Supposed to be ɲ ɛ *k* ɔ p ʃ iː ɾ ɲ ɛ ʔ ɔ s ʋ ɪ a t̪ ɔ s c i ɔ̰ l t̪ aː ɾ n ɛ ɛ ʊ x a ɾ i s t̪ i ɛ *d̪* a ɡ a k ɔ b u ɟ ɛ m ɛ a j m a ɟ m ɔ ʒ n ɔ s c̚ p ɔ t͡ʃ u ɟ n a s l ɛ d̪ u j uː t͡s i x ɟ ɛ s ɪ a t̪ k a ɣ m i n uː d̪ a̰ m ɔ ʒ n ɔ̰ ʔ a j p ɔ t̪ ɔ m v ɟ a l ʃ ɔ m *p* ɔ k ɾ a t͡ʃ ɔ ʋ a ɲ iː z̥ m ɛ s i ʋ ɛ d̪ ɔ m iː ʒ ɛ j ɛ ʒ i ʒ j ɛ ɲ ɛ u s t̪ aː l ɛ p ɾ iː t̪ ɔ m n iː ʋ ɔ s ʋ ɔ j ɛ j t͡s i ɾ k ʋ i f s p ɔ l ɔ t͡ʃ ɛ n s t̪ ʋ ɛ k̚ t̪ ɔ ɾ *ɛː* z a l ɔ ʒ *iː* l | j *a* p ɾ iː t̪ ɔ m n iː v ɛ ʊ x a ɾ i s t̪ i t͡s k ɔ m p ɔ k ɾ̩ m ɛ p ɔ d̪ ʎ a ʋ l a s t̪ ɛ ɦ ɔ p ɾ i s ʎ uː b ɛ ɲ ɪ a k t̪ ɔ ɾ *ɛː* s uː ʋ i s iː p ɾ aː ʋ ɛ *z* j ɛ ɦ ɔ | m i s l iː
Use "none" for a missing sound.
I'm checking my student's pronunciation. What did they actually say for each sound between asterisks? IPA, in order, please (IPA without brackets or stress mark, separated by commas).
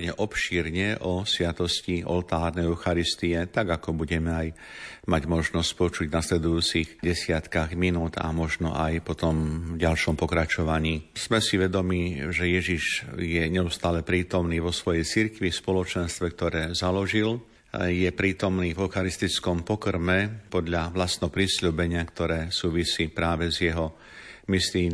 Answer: ʔ, t̪, p, ɛː, i, ɛ, ɛː, z